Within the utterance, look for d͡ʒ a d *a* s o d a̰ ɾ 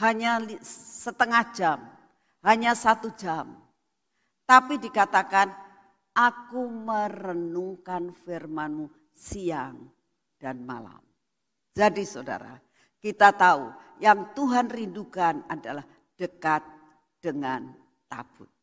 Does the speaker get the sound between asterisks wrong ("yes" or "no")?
yes